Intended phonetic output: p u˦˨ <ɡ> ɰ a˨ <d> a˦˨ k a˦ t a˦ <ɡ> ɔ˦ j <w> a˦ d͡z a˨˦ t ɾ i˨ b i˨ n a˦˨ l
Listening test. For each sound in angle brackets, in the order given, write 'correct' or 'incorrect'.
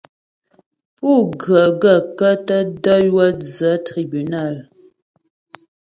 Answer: correct, incorrect: ɡ, incorrect: d, correct

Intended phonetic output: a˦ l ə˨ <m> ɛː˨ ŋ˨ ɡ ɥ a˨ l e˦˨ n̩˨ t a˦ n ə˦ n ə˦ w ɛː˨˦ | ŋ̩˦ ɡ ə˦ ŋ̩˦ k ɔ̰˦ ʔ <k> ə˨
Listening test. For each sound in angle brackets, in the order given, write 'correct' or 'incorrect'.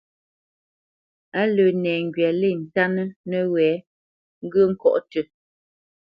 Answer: incorrect: n, incorrect: t

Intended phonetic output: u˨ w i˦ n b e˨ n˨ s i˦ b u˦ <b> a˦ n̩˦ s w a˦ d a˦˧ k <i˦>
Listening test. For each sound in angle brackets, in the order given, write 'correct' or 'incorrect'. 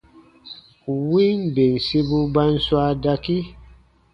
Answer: correct, correct

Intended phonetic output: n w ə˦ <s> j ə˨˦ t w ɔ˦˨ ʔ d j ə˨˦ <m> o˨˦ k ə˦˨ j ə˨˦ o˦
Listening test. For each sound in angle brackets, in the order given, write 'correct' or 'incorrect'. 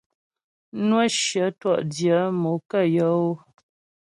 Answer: incorrect: ʃ, correct

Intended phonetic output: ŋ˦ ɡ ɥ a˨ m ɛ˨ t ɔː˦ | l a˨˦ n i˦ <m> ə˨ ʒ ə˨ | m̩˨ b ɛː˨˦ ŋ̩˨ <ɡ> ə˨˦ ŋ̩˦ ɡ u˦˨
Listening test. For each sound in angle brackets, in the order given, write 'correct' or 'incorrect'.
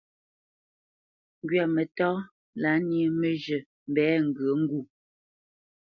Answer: correct, correct

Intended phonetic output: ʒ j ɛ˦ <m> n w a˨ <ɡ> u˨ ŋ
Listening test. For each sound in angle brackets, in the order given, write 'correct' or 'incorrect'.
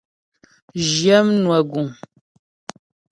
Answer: correct, correct

